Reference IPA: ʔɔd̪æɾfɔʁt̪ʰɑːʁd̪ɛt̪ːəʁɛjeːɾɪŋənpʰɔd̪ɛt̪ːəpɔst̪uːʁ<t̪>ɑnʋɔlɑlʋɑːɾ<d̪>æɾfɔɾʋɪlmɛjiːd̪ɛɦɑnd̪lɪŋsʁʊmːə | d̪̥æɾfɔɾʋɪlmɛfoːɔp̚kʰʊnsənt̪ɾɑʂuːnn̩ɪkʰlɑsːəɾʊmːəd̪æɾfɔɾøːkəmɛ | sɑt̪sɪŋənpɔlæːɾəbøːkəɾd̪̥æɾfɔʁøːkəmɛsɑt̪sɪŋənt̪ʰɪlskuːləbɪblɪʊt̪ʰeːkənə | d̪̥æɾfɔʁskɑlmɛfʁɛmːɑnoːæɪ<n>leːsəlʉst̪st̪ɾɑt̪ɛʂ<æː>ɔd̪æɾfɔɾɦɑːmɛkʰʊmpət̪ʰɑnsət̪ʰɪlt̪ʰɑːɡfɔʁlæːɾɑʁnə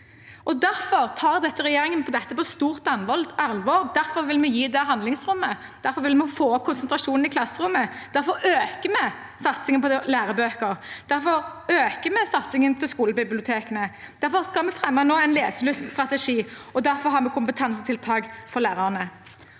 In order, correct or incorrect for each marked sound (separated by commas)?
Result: correct, correct, correct, incorrect